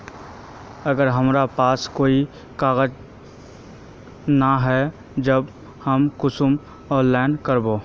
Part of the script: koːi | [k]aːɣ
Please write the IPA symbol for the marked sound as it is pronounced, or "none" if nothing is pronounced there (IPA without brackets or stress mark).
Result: k